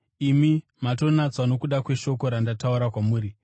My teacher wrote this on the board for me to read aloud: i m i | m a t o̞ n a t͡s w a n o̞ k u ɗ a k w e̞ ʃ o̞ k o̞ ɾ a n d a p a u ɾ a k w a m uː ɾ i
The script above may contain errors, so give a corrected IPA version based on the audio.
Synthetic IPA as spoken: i m i | m a t o̞ n a t͡s w a n o̞ k u ɗ a k w e̞ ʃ o̞ k o̞ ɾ a n d a t a u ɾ a k w a m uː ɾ i